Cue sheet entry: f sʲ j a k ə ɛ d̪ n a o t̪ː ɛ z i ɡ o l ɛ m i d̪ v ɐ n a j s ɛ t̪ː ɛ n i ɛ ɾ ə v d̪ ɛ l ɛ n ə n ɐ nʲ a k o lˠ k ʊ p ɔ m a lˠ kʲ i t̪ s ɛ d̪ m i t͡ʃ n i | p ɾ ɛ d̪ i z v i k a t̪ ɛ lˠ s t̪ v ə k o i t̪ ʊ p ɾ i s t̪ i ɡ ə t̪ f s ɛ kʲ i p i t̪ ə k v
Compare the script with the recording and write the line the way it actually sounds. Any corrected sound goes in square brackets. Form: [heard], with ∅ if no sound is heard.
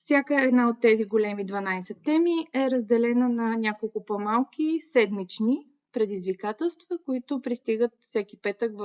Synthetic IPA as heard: f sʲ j a k ə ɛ d̪ n a o t̪ː ɛ z i ɡ o l ɛ m i d̪ v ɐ n a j s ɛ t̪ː ɛ [m] i ɛ ɾ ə [z] d̪ ɛ l ɛ n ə n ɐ nʲ a k o lˠ k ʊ p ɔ m a lˠ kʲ i [∅] s ɛ d̪ m i t͡ʃ n i | p ɾ ɛ d̪ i z v i k a t̪ ɛ lˠ s t̪ v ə k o i t̪ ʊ p ɾ i s t̪ i ɡ ə t̪ f s ɛ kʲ i p [ɛ] t̪ ə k v